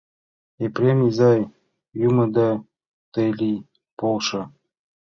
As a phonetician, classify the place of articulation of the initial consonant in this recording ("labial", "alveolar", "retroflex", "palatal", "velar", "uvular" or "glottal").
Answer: labial